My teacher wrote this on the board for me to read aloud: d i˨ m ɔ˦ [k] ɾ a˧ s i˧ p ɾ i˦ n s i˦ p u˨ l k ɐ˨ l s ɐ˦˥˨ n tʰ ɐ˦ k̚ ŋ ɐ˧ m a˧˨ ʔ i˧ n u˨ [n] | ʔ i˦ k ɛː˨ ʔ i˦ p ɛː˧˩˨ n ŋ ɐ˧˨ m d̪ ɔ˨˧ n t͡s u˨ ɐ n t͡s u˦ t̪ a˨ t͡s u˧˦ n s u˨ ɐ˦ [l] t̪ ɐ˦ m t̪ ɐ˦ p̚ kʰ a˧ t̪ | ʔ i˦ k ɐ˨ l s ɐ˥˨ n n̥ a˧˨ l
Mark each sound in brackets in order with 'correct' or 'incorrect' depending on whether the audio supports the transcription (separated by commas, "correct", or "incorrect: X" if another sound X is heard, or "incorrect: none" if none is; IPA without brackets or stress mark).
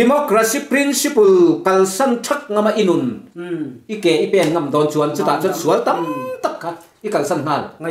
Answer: correct, correct, correct